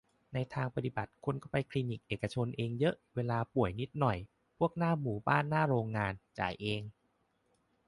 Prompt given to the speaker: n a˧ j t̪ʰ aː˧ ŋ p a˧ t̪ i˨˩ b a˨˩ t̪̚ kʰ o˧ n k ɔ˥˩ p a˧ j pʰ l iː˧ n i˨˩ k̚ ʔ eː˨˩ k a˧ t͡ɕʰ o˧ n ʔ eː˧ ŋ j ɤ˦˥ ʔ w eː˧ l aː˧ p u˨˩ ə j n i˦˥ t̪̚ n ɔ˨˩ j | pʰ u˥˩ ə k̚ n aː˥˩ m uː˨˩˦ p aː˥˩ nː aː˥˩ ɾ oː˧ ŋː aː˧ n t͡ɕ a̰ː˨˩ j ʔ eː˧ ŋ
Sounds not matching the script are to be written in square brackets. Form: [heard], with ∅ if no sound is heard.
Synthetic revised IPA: n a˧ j t̪ʰ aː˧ ŋ p a˧ t̪ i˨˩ b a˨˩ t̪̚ kʰ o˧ n k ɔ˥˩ p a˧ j [kʰ] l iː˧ n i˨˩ k̚ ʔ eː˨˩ k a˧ t͡ɕʰ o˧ n ʔ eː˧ ŋ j ɤ˦˥ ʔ w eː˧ l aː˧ p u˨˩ ə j n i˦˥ t̪̚ n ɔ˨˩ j | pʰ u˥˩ ə k̚ n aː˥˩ m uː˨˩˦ [b] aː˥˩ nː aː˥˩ ɾ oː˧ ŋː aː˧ n t͡ɕ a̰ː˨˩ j ʔ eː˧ ŋ